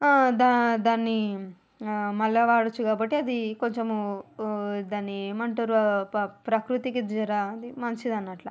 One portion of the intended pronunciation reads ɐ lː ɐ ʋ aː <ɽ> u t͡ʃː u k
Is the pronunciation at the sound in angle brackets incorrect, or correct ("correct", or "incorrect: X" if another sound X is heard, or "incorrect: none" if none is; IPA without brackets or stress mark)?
correct